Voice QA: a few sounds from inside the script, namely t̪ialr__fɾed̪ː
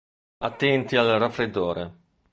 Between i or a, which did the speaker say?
a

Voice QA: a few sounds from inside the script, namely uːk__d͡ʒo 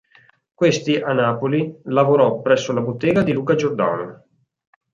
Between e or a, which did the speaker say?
a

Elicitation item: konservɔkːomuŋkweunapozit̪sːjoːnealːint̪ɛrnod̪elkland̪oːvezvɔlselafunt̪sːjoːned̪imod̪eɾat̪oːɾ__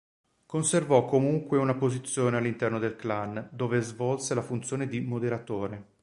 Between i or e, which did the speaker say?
e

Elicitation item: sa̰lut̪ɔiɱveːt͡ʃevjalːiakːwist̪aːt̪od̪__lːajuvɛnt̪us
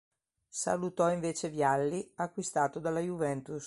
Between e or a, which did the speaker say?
a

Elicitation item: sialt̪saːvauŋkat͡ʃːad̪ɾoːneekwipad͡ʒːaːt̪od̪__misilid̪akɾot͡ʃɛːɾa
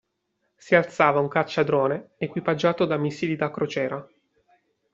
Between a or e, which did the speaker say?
a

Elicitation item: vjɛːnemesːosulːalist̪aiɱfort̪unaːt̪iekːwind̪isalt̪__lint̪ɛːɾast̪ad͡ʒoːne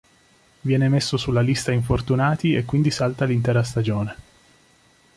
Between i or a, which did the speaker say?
a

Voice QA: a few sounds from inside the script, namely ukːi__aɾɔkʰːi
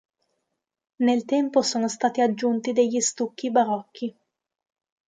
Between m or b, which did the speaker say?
b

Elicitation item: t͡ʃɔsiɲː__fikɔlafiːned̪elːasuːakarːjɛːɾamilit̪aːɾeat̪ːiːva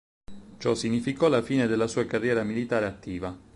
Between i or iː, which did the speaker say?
i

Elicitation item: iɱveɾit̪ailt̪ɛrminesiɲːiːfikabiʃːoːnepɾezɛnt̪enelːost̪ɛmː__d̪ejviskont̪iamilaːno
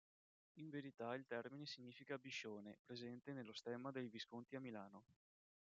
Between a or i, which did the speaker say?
a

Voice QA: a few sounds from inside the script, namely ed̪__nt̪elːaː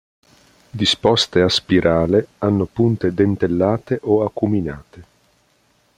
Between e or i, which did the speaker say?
e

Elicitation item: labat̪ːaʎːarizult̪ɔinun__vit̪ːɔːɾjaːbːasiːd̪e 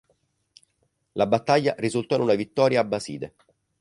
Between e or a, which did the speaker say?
a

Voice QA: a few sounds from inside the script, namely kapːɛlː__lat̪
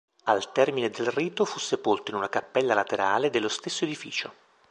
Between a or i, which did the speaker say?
a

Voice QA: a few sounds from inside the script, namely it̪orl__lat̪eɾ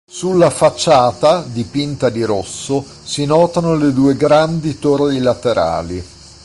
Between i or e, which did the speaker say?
i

